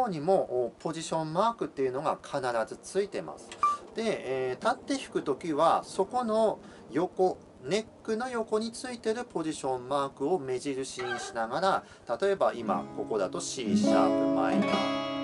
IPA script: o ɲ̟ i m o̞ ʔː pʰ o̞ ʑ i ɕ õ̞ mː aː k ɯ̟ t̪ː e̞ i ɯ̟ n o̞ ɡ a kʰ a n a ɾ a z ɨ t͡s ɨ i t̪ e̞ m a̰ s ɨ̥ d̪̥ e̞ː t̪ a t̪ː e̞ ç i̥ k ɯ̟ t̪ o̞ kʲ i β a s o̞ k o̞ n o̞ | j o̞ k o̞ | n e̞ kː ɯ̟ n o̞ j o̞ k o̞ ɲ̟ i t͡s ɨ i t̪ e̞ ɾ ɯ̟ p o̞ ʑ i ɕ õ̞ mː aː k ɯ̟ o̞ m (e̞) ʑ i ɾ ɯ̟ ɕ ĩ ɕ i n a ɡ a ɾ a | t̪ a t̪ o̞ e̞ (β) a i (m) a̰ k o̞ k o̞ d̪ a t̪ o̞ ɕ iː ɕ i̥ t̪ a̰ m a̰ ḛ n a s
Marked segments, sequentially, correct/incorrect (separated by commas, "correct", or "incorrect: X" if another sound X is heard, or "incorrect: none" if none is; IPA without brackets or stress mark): correct, incorrect: b, correct